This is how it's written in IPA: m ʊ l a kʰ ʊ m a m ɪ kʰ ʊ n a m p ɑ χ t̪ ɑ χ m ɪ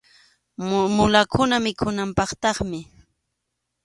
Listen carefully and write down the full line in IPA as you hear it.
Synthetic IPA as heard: m ʊ l a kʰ ʊ n a m ɪ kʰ ʊ n a m p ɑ χ t̪ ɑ χ m ɪ